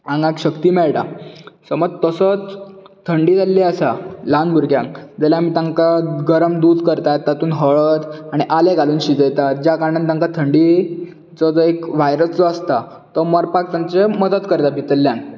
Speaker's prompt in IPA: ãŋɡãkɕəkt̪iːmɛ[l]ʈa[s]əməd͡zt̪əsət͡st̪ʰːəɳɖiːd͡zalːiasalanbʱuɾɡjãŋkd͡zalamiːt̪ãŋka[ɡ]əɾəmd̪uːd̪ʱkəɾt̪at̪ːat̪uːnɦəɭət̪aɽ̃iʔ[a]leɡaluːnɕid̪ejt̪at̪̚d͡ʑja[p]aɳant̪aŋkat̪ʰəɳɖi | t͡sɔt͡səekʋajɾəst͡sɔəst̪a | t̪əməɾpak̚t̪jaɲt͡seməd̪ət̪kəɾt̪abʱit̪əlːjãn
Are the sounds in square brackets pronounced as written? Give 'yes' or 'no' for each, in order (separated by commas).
no, yes, yes, yes, no